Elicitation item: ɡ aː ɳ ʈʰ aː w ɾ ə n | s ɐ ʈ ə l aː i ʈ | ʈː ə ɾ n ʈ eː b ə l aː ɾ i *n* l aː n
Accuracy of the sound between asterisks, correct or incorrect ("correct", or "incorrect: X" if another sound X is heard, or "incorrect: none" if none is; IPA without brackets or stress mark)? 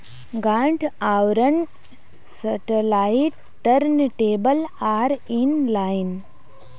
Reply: correct